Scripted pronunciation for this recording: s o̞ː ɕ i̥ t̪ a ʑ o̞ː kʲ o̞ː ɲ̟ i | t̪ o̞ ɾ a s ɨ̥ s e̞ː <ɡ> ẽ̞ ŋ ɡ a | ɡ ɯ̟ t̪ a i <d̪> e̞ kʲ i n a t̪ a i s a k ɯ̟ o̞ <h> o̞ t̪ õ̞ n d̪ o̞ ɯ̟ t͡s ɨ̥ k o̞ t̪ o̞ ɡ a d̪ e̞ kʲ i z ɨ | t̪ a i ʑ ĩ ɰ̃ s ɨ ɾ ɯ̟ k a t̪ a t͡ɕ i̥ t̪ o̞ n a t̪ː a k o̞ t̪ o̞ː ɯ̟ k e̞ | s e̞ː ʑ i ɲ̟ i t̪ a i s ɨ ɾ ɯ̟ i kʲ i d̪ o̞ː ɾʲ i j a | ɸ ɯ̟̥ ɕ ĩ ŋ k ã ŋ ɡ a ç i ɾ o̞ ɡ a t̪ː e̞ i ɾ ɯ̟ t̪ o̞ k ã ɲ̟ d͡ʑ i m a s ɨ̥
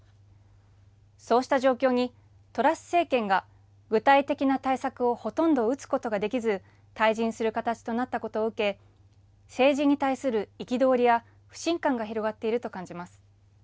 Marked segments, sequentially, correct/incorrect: incorrect: k, incorrect: t̪, correct

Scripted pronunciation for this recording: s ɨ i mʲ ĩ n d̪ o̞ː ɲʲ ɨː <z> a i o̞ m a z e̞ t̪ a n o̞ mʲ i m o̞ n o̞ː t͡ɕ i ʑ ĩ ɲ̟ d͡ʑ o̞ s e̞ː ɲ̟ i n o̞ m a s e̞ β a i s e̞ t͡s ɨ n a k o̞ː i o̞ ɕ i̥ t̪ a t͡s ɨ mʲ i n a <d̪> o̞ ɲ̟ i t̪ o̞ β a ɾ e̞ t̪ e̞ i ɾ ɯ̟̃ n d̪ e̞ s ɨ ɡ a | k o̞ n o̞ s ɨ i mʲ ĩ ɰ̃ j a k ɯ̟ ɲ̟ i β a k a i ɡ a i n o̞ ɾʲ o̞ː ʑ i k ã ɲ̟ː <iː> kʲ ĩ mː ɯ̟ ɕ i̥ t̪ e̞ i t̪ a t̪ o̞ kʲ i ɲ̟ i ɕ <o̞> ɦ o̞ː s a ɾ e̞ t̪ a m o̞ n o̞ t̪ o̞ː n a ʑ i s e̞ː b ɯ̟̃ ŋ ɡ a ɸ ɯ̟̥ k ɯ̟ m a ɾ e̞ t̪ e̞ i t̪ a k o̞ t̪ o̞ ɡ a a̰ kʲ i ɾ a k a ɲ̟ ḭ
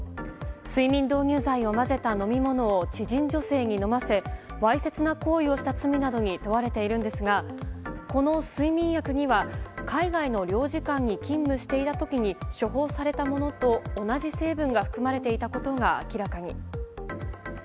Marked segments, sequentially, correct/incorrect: correct, correct, incorrect: i, correct

